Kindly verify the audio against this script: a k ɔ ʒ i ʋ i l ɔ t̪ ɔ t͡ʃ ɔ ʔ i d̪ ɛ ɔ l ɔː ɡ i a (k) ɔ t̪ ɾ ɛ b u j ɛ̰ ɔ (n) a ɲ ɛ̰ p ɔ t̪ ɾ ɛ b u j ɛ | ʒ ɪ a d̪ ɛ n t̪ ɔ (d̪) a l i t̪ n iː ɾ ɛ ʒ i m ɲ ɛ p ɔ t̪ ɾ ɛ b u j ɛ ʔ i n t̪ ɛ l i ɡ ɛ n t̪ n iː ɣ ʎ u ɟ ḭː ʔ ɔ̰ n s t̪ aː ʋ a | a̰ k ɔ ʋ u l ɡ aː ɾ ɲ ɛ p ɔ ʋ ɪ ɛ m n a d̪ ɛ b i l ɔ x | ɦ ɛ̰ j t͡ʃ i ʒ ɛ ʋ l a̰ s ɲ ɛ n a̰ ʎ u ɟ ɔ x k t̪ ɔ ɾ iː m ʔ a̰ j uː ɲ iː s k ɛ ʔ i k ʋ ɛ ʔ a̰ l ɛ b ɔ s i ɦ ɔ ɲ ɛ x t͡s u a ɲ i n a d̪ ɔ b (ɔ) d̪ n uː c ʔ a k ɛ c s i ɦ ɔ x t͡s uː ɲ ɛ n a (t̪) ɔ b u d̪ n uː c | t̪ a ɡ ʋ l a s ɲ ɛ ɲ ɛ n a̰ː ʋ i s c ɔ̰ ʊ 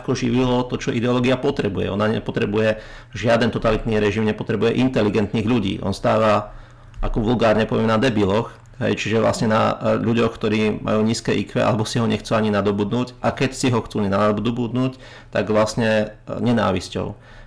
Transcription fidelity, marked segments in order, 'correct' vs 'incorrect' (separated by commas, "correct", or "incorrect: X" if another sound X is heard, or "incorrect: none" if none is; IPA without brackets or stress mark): incorrect: p, correct, incorrect: t̪, incorrect: u, incorrect: d̪